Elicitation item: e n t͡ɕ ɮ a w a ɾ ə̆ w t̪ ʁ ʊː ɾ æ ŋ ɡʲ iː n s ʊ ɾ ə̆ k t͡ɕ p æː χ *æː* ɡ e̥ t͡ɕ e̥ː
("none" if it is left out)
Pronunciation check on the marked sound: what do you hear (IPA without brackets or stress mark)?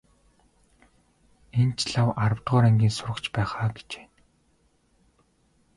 aː